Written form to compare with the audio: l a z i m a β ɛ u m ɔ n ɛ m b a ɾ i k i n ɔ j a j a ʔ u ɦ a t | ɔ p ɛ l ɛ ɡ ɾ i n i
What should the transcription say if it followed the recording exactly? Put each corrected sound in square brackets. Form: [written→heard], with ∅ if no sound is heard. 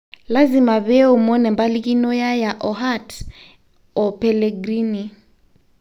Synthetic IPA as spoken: l a z i m a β ɛ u m ɔ n ɛ m b a [ɾ→l] i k i n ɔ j a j a ʔ [u→ɔ] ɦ a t | ɔ p ɛ l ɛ ɡ ɾ i n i